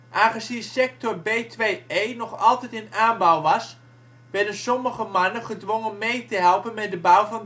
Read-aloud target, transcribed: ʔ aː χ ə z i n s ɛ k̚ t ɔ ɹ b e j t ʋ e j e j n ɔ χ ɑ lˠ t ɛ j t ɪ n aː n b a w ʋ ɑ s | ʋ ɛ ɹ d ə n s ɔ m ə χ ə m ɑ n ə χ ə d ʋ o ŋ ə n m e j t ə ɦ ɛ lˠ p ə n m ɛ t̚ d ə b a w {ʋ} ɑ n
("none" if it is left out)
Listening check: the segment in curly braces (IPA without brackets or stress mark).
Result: v